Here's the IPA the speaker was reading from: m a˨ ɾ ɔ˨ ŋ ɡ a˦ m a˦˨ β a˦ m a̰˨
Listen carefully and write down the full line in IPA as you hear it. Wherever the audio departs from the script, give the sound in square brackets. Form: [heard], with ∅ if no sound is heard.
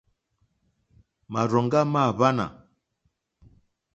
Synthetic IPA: m a˨ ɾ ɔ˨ ŋ ɡ a˦ m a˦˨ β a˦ [n] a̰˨